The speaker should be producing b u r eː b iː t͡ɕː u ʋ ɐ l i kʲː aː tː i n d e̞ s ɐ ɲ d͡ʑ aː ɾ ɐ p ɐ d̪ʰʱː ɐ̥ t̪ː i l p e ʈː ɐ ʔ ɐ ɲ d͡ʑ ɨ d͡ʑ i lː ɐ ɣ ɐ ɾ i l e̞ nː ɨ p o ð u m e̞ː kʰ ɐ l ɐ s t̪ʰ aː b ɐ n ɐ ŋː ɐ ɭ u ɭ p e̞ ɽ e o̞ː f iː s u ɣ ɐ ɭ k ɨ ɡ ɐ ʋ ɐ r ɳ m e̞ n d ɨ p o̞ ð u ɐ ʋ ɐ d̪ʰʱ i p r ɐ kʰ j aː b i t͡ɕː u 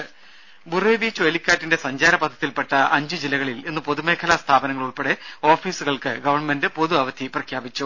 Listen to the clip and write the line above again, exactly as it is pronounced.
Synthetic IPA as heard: b u r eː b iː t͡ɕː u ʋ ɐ l i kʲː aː tː i n d e̞ s ɐ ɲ d͡ʑ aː ɾ ɐ p ɐ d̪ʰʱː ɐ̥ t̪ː i l p e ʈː ɐ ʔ ɐ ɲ d͡ʑ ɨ d͡ʑ i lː ɐ ɣ ɐ ɭ i l e̞ nː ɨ p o ð u m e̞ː kʰ ɐ l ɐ s t̪ʰ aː b ɐ n ɐ ŋː ɐ ɭ u ɭ p e̞ ɽ e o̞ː f iː s u ɣ ɐ ɭ k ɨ ɡ ɐ ʋ ɐ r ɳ m e̞ n d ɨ p o̞ ð u ɐ ʋ ɐ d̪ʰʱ i p r ɐ kʰ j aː b i t͡ɕː u